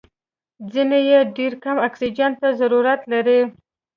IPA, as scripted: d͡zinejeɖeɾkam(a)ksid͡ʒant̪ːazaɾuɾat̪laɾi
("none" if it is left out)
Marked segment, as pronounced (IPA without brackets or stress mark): a